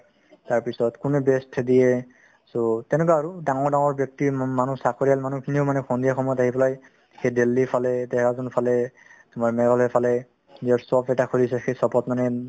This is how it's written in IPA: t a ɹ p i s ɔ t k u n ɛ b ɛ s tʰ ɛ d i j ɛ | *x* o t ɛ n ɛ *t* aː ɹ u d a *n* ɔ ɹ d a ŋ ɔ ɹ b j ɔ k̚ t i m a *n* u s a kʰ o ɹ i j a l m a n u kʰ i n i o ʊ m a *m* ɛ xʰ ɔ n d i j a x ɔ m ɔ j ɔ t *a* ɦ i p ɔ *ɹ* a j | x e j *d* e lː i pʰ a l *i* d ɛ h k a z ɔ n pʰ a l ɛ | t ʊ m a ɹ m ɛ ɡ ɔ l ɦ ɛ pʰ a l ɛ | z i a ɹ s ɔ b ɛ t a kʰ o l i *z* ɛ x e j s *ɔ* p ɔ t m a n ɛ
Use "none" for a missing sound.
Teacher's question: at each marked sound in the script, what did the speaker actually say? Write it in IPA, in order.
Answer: s, k, ŋ, n, n, a, l, d, ɛ, s, ɔ

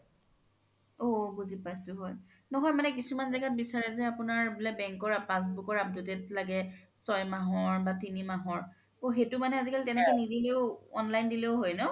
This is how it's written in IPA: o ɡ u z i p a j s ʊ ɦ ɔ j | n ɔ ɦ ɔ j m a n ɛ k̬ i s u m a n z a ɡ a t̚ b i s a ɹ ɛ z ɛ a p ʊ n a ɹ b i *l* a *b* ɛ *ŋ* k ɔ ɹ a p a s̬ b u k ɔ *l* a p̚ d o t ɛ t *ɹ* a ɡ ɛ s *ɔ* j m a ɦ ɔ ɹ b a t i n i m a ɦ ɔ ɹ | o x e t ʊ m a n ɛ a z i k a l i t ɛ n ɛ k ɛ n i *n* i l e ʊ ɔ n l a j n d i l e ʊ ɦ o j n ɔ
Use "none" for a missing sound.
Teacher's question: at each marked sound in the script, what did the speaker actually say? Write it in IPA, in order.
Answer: l, b, ŋ, ɹ, l, ɔ, d

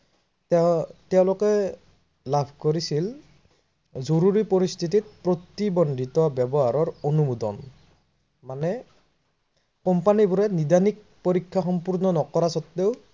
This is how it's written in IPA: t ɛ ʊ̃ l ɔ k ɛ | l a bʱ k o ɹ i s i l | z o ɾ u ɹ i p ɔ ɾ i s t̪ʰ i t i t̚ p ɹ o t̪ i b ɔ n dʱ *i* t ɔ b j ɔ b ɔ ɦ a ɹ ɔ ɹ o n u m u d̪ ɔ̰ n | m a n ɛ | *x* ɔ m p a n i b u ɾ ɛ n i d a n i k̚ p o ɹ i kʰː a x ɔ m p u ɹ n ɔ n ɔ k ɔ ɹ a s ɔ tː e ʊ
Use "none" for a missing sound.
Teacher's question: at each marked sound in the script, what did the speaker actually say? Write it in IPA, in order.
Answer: i, k

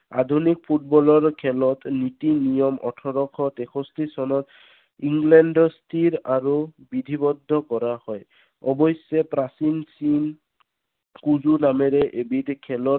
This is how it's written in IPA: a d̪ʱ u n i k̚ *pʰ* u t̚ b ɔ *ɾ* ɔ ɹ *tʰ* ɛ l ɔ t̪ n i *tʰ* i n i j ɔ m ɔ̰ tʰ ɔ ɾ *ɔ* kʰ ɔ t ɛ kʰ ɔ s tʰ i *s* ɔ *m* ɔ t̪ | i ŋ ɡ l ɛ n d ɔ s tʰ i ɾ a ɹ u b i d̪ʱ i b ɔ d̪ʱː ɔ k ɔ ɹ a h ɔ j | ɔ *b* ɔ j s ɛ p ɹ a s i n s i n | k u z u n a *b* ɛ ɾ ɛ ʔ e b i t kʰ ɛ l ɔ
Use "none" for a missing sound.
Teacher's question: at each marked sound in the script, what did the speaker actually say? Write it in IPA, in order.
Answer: pʰ, l, kʰ, t, ɔ, s, n, b, m

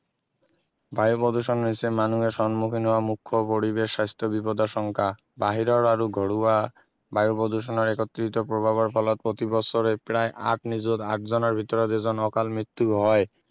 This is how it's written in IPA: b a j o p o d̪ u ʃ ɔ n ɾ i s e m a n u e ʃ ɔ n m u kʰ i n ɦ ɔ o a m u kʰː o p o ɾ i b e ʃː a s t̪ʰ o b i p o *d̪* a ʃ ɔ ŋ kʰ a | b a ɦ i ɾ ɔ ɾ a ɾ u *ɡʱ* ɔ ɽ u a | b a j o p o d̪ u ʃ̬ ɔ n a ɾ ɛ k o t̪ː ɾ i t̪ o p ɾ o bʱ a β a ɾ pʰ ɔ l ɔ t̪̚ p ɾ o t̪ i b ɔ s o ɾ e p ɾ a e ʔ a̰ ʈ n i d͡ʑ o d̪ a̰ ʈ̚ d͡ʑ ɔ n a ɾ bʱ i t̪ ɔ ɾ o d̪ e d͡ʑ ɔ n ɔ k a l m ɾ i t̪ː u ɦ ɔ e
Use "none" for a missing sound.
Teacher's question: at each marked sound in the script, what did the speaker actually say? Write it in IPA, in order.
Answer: d̪, ɡʱ

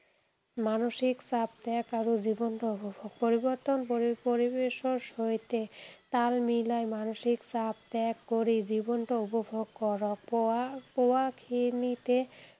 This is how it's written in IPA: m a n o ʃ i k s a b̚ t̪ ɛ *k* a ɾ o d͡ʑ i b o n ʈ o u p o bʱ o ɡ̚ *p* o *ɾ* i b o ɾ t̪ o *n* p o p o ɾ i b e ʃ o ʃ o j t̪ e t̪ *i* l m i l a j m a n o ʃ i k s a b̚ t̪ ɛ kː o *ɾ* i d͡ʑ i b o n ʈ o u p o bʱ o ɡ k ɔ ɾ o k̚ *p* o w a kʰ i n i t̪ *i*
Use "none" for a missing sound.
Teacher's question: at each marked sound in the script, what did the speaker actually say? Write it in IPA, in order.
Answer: k, p, ɾ, n, a, ɾ, p, e

